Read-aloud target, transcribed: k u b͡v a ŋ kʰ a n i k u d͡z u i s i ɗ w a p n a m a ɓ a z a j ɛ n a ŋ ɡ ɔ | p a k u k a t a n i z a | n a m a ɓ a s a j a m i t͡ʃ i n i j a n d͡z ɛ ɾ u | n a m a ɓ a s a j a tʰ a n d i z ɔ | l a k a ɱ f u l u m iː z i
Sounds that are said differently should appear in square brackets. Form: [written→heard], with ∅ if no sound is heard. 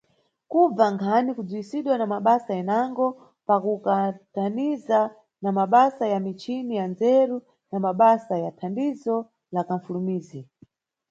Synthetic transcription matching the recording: k u b͡v a ŋ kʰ a n i k u d͡z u i s i ɗ w a [p→∅] n a m a ɓ a [z→s] a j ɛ n a ŋ ɡ ɔ | p a k u k a t a n i z a | n a m a ɓ a s a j a m i t͡ʃ i n i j a n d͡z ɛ ɾ u | n a m a ɓ a s a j a tʰ a n d i z ɔ | l a k a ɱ f u l u m iː z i